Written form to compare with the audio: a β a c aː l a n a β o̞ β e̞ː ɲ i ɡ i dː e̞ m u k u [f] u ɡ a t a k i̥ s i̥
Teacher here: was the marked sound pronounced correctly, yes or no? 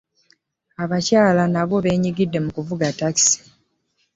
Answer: no